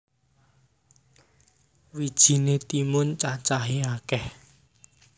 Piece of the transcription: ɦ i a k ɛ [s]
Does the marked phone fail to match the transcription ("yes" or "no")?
yes